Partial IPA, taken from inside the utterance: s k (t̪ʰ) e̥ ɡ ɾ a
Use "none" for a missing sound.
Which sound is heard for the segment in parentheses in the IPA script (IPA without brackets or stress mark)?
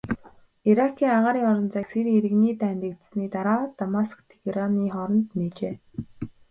t̪ʰ